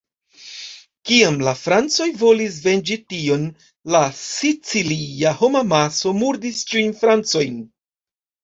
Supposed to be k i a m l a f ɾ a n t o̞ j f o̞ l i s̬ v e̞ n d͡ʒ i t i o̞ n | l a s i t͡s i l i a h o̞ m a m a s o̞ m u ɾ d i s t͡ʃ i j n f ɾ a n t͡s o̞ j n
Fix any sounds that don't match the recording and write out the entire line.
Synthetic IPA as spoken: k i a m l a f ɾ a n t͡s o̞ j v o̞ l i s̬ v e̞ n d͡ʒ i t i o̞ n | l a s i t͡s i l i a h o̞ m a m a s o̞ m u ɾ d i s t͡ʃ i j n f ɾ a n t͡s o̞ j n